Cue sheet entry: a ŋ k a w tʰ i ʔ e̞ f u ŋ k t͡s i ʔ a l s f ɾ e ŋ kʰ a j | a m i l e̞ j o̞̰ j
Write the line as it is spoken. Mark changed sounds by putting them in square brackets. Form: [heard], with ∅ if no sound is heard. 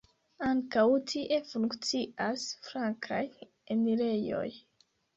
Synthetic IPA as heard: a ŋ k a w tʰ i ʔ e̞ f u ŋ k t͡s i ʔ a [∅] s f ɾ [a] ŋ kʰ a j | [e] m i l e̞ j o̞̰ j